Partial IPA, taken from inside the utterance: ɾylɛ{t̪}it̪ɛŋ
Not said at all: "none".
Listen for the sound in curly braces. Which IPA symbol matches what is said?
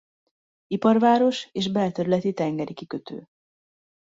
t̪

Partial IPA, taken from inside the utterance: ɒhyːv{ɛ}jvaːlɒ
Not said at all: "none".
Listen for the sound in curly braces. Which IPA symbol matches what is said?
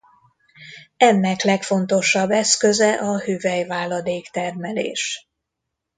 ɛ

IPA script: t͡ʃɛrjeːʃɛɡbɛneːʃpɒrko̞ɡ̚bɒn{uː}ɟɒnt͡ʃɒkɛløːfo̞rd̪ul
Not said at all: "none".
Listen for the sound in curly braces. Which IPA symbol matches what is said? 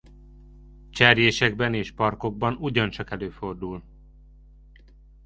u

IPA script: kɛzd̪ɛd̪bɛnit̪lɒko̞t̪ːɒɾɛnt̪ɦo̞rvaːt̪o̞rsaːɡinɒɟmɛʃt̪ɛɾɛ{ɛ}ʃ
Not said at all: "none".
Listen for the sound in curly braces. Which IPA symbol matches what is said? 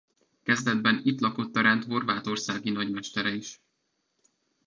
i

